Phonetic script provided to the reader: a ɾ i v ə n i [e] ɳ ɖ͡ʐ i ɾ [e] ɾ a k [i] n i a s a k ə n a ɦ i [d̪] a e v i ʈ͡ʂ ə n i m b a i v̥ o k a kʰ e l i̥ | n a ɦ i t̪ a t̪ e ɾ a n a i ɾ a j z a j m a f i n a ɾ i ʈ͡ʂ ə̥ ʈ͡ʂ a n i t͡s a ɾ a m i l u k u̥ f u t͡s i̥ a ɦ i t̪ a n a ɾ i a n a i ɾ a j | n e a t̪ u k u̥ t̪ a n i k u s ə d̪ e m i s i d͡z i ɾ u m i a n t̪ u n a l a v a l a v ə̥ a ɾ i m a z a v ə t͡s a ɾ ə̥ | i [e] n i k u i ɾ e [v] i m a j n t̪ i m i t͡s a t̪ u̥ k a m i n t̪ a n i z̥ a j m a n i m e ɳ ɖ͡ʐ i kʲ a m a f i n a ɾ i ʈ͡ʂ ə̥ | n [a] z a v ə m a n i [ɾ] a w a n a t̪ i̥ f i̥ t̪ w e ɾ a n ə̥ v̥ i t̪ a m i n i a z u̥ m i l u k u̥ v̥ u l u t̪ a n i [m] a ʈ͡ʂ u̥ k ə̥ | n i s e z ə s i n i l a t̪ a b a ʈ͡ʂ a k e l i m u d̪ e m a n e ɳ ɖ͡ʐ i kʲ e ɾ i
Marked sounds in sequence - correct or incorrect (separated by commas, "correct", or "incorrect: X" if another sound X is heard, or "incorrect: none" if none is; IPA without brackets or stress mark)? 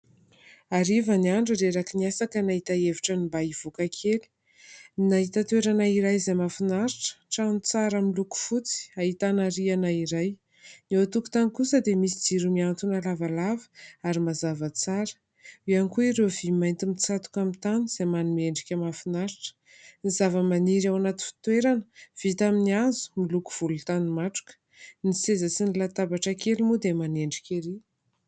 incorrect: a, correct, correct, incorrect: t̪, incorrect: a, correct, incorrect: i, correct, correct